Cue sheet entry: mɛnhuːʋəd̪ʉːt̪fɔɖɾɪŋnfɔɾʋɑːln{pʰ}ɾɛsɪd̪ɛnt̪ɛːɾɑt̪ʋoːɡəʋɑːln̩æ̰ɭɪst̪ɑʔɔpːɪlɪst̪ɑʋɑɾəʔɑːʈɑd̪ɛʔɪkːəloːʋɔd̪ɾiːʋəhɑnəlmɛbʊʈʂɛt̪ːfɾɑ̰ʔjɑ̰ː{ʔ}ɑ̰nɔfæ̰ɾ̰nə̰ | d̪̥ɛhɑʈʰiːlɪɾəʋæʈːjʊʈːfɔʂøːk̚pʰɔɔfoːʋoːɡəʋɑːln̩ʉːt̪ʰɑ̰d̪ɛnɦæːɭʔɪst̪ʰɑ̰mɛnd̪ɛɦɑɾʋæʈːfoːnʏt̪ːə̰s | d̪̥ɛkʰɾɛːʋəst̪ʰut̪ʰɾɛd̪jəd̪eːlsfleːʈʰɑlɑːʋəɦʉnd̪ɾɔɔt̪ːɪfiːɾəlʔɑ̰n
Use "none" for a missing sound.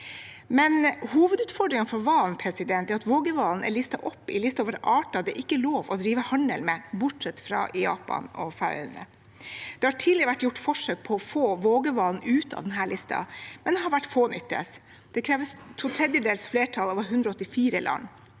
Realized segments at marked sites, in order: pʰ, p

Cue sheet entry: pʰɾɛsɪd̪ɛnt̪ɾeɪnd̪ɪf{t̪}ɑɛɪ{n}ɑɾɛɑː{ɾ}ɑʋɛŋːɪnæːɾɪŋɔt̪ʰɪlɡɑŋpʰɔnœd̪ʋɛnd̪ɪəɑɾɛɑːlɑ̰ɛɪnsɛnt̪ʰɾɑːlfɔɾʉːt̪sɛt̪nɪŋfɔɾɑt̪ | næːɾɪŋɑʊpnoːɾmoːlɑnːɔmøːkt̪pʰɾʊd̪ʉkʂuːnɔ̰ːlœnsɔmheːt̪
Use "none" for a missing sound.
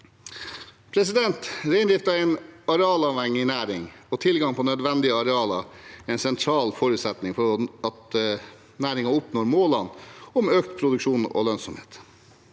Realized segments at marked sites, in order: t̪, n, l

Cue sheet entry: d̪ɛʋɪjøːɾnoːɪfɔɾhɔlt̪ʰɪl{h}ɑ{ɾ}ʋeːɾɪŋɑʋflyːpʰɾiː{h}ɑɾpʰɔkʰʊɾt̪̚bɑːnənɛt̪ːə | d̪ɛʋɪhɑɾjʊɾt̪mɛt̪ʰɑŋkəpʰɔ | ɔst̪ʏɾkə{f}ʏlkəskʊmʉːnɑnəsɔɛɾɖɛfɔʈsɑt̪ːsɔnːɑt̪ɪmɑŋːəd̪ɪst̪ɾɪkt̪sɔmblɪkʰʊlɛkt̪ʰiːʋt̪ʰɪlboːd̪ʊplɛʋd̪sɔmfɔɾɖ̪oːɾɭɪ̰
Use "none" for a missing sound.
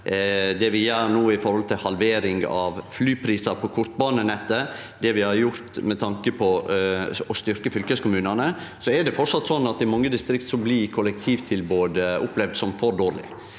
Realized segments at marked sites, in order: h, l, s, f

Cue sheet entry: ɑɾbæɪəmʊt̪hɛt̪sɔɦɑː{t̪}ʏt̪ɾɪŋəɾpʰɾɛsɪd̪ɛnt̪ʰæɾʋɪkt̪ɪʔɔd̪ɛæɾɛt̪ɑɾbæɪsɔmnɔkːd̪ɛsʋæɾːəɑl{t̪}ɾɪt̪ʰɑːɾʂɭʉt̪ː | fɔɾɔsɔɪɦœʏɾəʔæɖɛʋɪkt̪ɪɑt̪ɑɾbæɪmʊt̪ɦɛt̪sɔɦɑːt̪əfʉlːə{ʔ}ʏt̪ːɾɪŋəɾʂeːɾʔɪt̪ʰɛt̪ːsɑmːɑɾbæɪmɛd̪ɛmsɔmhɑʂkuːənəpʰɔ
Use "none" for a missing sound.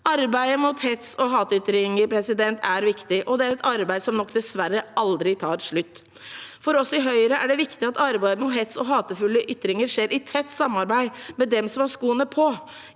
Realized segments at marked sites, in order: t̪, d̪, ʔ

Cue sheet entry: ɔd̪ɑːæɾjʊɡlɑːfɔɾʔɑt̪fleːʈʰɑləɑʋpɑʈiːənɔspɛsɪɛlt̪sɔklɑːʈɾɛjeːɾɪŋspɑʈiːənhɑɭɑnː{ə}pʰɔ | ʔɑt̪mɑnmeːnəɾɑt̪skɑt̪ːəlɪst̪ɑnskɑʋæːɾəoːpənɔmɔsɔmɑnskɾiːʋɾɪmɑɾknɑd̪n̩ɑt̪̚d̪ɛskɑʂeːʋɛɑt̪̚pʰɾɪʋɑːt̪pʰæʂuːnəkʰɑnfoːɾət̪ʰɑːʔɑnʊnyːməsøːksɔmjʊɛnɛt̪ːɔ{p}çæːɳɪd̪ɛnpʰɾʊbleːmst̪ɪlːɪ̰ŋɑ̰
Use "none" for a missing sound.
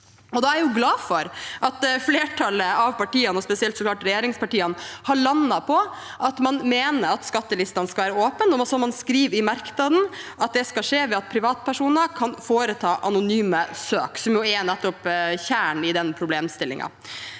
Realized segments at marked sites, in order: ɑ, p

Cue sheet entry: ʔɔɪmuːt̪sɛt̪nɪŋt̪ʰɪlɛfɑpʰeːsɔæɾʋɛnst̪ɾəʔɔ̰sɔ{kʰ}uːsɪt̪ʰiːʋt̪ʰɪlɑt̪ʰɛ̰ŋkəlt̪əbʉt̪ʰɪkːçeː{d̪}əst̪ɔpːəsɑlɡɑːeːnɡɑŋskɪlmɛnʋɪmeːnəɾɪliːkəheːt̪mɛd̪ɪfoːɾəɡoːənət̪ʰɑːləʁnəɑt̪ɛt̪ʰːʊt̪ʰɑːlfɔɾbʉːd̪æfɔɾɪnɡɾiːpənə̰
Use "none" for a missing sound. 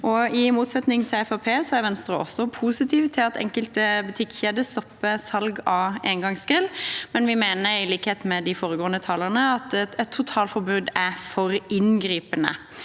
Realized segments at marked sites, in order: pʰ, d̪

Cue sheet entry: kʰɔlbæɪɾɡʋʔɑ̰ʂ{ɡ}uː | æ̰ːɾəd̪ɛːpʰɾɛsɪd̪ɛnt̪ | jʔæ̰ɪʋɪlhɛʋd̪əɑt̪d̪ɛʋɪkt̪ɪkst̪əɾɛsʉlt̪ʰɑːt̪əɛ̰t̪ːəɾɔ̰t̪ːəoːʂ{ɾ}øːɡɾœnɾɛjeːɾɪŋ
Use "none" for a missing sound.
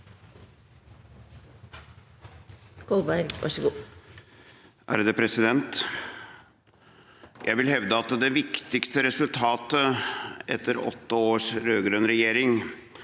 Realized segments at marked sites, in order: ɡ, ɾ

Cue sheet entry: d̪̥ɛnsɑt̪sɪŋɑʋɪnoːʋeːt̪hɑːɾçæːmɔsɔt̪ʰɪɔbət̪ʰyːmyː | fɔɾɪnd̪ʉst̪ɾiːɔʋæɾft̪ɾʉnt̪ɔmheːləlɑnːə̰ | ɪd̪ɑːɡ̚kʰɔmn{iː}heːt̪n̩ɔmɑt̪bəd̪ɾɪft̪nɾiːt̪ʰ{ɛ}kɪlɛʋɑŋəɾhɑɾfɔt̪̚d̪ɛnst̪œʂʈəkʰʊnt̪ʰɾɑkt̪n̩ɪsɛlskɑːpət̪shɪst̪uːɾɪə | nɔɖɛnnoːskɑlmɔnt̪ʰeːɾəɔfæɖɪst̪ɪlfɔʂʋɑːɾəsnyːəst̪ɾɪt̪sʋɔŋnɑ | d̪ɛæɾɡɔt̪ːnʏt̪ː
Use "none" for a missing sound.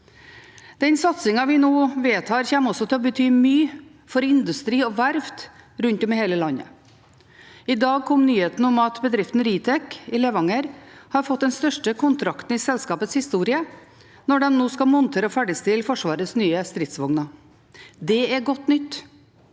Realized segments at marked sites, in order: yː, ɛ

